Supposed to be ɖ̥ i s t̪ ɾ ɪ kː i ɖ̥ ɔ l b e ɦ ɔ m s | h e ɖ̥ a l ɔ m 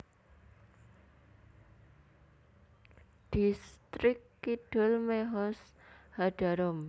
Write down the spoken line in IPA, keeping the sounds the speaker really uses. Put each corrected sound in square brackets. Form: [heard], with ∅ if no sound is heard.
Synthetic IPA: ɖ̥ i s t̪ ɾ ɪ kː i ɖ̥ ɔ l [m] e ɦ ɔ [∅] s | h [a] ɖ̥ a [ɾ] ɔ m